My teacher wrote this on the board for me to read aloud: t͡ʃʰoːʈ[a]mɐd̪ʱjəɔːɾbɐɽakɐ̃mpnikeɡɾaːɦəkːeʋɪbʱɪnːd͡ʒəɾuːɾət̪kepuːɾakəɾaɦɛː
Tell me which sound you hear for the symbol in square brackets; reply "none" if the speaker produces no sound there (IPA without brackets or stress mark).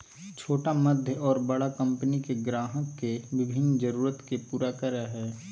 a